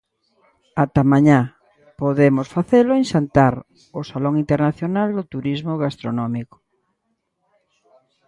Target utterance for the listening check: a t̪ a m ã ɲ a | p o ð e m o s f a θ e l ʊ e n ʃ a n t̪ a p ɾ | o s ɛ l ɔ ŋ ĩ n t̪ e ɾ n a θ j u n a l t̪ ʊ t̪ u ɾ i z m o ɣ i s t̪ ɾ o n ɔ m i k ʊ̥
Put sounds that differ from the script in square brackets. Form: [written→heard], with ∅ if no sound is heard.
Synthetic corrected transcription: a t̪ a m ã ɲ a | p o ð e m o s f a θ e l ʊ e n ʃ a n t̪ a [p→∅] ɾ | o s [ɛ→a] l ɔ ŋ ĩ n t̪ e ɾ n a θ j [u→o] n a l [t̪→d̪] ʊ t̪ u ɾ i z m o ɣ [i→a] s t̪ ɾ o n ɔ m i k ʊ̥